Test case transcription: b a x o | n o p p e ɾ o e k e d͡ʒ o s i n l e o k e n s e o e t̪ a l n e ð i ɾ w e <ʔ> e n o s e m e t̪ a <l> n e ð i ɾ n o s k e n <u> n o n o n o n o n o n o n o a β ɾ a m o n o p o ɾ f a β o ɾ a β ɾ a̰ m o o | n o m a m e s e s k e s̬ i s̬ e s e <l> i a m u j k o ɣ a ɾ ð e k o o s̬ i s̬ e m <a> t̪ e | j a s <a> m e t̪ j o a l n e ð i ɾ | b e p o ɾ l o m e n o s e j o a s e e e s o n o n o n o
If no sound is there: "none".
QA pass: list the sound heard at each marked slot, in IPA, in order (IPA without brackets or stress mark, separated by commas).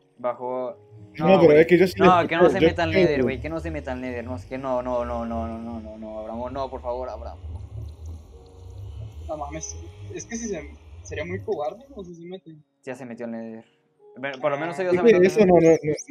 k, l, o, ɾ, e, e